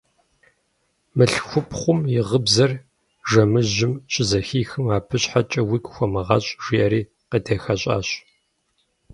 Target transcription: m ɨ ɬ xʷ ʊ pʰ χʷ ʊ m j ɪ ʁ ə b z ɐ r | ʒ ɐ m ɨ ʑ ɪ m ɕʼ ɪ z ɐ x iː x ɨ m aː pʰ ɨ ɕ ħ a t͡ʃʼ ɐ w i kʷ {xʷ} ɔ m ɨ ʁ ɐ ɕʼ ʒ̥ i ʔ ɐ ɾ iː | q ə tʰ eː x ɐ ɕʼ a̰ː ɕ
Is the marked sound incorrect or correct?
correct